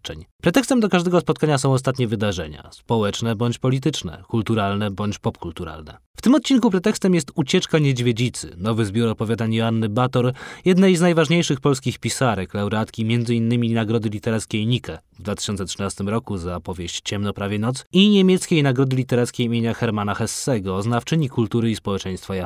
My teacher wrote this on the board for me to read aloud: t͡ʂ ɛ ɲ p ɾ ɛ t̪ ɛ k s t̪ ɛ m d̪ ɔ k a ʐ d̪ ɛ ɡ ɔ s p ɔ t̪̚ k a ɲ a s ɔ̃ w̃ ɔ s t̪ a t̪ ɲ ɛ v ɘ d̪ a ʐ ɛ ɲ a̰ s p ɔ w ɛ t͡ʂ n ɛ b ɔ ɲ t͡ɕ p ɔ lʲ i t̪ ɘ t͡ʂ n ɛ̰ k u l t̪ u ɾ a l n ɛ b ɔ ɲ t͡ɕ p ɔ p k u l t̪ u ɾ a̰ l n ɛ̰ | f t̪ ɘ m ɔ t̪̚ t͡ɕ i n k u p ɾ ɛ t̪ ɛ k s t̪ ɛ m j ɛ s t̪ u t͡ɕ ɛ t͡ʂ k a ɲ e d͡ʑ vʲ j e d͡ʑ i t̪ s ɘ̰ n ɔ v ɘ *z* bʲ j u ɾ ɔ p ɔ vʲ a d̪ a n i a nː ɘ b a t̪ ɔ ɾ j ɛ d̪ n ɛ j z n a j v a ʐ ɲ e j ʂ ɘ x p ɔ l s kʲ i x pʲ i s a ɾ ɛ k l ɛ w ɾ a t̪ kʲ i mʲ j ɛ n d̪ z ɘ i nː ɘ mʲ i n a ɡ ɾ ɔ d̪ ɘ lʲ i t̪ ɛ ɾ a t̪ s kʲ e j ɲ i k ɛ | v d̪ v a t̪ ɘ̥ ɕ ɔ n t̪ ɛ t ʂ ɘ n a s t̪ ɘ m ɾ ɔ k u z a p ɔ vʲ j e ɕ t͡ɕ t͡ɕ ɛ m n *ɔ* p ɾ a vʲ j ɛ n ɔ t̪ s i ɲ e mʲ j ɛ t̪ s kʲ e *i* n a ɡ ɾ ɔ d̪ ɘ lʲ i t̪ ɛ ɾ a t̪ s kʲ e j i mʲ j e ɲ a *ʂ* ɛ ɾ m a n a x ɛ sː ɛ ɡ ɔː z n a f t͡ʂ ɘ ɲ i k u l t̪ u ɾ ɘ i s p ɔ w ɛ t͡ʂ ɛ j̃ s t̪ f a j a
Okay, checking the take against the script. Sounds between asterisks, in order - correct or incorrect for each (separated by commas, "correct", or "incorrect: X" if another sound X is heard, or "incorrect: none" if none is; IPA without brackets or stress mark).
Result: correct, correct, incorrect: j, incorrect: x